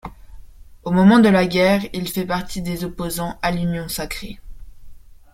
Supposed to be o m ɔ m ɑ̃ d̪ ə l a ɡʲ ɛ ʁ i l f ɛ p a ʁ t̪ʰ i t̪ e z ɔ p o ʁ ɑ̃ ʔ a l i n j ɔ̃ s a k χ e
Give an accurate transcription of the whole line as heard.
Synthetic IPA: o m ɔ m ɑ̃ d̪ ə l a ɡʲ ɛ ʁ i l f ɛ p a ʁ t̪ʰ i d̪ e z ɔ p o z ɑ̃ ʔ a l y n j ɔ̃ s a k χ e

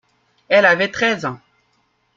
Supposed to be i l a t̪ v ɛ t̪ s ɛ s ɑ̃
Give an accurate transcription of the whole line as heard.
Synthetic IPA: ɛ l a v ɛ t̪ χ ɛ z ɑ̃

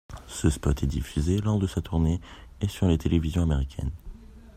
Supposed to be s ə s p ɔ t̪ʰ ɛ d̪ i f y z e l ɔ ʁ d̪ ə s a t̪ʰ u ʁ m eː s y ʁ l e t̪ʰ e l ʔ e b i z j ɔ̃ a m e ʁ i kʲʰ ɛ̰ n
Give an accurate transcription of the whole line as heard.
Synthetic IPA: s ə s p ɔ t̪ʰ ɛ d̪ i f y z e l ɔ ʁ d̪ ə s a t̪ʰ u ʁ n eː s y ʁ l e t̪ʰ e l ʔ e v i z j ɔ̃ a m e ʁ i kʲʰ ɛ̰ n

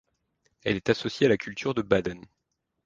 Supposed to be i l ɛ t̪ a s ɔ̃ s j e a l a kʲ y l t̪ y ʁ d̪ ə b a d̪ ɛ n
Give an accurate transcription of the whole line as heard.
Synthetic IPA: ɛ l ɛ t̪ a s ɔ s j e a l a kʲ y l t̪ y ʁ d̪ ə b a d̪ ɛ n

